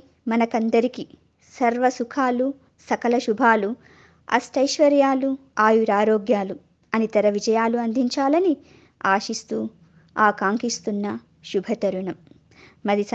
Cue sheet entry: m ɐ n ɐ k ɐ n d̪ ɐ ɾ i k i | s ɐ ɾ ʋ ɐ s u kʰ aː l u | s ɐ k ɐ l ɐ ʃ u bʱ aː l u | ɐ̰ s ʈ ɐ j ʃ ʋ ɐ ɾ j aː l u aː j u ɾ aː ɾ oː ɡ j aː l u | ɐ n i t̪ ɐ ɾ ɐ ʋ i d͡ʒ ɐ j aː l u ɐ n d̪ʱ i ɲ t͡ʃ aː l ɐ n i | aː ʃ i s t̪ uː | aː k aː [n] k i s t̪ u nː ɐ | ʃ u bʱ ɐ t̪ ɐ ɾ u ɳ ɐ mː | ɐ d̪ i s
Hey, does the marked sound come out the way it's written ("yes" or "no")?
no